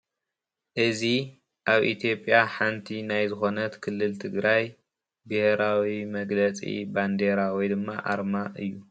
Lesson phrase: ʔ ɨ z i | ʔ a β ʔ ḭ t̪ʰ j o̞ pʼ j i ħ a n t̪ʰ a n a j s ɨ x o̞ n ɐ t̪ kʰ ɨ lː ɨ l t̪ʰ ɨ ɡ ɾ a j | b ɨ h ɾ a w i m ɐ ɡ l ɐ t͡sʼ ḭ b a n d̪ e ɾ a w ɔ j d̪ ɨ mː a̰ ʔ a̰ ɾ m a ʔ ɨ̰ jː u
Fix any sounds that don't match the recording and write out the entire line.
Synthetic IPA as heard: ʔ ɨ z i | ʔ a β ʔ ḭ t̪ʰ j o̞ pʼ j a ħ a n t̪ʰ i n a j z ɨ x o̞ n ɐ t̪ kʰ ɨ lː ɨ l t̪ʰ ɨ ɡ ɾ a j | b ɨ h ɾ a w i m ɐ ɡ l ɐ t͡sʼ ḭ b a n d̪ e ɾ a w ɔ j d̪ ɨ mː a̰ ʔ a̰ ɾ m a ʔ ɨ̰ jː u

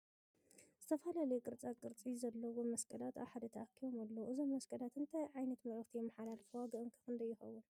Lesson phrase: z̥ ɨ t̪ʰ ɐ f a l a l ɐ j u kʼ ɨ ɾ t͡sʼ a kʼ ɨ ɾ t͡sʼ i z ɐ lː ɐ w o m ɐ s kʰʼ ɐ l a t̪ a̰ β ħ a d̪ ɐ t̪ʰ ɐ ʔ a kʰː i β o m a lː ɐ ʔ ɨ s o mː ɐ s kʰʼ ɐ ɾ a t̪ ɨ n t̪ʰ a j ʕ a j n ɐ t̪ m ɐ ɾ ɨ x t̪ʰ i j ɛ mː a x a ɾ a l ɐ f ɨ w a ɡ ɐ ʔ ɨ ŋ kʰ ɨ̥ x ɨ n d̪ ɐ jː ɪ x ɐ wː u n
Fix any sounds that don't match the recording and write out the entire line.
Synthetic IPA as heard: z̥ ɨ t̪ʰ ɐ f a l a l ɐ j u kʼ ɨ ɾ t͡sʼ a kʼ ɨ ɾ t͡sʼ i z ɐ lː ɐ w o m ɐ s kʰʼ ɐ l a t̪ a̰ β ħ a d̪ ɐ t̪ʰ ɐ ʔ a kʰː i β o m a lː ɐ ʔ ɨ z o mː ɐ s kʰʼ ɐ l a t̪ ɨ n t̪ʰ a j ʕ a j n ɐ t̪ m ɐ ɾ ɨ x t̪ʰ i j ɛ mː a ħ a l a l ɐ f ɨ w a ɡ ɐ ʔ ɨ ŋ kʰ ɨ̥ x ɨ n d̪ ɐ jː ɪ x ɐ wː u n

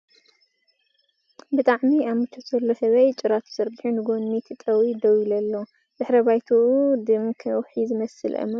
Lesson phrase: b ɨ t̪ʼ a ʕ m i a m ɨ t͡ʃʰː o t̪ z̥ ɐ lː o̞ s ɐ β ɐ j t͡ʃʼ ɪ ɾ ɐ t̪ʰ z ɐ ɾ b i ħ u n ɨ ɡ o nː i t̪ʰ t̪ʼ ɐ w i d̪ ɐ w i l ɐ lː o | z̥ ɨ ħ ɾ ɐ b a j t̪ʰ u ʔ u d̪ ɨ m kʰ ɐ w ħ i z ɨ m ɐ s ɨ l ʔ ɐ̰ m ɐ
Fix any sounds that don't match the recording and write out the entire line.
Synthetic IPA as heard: b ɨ t̪ʼ a ʕ m i a m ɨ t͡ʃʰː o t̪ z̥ ɐ lː o̞ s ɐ β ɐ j t͡ʃʼ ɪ ɾ a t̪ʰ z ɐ ɾ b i ħ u n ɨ ɡ o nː i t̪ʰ t̪ʼ ɐ w i d̪ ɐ w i l ɐ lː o | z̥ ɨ ħ ɾ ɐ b a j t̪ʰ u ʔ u d̪ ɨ m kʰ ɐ w ħ i z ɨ m ɐ s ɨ l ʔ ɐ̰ m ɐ

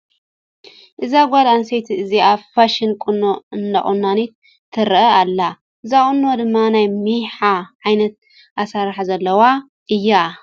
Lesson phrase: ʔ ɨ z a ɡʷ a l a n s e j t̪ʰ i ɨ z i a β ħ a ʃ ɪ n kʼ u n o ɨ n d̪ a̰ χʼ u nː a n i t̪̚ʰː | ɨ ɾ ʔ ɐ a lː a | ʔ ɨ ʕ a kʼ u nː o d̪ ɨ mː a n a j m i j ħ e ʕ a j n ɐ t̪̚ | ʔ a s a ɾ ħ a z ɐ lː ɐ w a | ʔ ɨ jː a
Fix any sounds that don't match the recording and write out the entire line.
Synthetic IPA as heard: ʔ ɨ z a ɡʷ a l a n s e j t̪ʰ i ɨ z i a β f a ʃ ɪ n kʼ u n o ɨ n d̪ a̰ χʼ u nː a n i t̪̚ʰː | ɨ ɾ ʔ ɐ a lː a | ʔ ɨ z a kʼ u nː o d̪ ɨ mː a n a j m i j ħ a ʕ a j n ɐ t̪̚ | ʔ a s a ɾ ħ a z ɐ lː ɐ w a | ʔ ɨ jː a

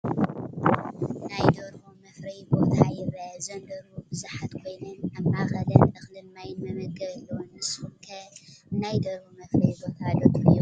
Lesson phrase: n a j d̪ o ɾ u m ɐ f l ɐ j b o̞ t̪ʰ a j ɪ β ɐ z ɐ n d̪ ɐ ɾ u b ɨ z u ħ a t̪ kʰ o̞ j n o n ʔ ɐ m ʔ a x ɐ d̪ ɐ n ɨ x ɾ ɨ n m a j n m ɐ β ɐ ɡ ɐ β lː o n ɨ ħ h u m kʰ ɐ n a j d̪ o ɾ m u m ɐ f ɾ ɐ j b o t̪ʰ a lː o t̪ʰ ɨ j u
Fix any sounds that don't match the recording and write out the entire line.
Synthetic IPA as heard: n a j d̪ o ɾ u m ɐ f ɾ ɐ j b o̞ t̪ʰ a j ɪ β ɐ z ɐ n d̪ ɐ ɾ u b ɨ z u ħ a t̪ kʰ o̞ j n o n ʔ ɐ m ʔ a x ɐ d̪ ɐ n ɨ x l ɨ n m a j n m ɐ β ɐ ɡ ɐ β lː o n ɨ s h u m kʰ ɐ n a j d̪ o ɾ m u m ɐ f ɾ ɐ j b o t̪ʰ a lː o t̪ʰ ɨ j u

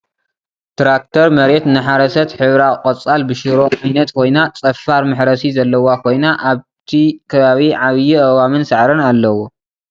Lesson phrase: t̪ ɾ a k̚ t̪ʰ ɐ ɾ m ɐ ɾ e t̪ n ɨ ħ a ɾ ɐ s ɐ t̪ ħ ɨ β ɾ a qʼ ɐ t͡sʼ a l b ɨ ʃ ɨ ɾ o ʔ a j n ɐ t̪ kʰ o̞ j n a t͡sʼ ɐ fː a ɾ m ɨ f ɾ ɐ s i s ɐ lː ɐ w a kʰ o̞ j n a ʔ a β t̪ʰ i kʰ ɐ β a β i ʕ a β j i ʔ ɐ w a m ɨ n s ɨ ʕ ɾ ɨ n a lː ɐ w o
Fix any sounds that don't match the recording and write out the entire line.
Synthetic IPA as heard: t̪ ɾ a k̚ t̪ʰ ɐ ɾ m ɐ ɾ e t̪ n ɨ ħ a ɾ ɐ s ɐ t̪ ħ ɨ β ɾ a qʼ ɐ t͡sʼ a l b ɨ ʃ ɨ ɾ o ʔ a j n ɐ t̪ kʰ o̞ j n a t͡sʼ ɐ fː a ɾ m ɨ ħ ɾ ɐ s i z ɐ lː ɐ w a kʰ o̞ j n a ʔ a β t̪ʰ i kʰ ɐ β a β i ʕ a β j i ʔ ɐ w a m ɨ n s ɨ ʕ ɾ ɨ n a lː ɐ w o

